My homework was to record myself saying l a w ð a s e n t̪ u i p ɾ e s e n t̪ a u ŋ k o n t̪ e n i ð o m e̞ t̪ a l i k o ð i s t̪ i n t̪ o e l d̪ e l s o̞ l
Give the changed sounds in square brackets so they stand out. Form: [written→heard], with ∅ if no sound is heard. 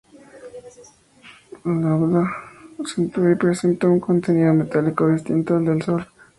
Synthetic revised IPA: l a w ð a s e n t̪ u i p ɾ e s e n t̪ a u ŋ k o n t̪ e n i ð o m e̞ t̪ a l i k o ð i s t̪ i n t̪ o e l d̪ e l s o̞ l